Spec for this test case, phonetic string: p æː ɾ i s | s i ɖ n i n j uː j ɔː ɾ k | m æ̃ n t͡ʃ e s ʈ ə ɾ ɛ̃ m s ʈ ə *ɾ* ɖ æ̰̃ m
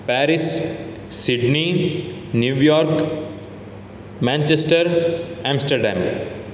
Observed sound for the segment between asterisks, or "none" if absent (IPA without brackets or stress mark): ɾ